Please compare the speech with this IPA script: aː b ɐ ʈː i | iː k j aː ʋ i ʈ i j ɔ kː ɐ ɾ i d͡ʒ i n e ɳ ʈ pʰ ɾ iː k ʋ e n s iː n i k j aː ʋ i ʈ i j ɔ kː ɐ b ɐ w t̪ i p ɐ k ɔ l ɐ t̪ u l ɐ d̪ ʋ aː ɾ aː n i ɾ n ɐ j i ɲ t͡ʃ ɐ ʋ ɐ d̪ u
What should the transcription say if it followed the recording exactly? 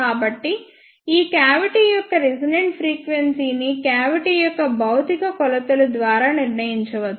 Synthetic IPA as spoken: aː b ɐ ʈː i | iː k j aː ʋ i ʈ i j ɔ kː ɐ ɾ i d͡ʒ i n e ɳ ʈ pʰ ɾ iː k ʋ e n s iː n i k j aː ʋ i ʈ i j ɔ kː ɐ b ɐ w t̪ i k ɐ k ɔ l ɐ t̪ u l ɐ d̪ ʋ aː ɾ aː n i ɾ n ɐ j i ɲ t͡ʃ ɐ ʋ ɐ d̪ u